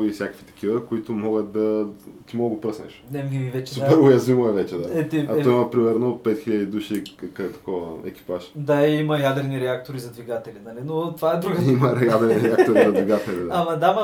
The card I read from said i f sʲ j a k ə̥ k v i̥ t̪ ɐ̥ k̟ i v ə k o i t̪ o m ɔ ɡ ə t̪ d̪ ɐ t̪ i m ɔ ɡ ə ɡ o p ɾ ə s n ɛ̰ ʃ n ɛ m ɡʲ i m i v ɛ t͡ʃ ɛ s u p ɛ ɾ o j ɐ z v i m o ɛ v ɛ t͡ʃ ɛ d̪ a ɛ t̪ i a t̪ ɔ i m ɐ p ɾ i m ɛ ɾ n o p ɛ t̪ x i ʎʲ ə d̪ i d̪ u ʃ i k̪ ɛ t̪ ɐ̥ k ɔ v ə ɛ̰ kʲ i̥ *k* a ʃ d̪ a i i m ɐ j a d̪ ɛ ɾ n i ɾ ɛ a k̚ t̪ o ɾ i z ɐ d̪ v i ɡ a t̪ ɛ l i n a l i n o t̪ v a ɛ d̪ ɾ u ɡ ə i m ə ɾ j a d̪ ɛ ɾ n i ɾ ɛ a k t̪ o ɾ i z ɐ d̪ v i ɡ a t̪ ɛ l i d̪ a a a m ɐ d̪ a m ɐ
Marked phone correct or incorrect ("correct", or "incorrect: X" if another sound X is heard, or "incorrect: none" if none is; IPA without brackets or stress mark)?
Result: incorrect: p